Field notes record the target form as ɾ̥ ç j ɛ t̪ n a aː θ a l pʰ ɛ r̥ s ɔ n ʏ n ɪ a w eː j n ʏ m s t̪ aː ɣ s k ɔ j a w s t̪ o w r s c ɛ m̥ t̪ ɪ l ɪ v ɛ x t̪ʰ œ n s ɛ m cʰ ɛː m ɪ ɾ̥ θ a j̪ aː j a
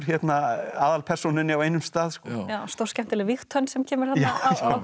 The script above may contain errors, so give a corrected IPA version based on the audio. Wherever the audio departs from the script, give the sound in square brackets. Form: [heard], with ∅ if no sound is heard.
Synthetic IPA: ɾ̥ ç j ɛ t̪ n a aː [ð] a l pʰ ɛ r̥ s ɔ n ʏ n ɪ a w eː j n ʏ m s t̪ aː [ð] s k ɔ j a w s t̪ o w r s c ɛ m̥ t̪ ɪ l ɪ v [i] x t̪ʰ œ n s ɛ m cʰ ɛː m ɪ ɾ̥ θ a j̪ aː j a